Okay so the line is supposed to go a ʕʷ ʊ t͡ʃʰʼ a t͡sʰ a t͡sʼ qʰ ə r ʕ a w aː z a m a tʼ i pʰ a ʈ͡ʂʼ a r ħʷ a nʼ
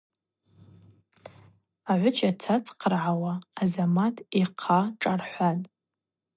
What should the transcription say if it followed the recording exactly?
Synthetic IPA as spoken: a ʕʷ ʊ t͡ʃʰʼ a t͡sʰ a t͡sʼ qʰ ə r ʕ a w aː z a m a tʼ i qʰ a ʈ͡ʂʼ a r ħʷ a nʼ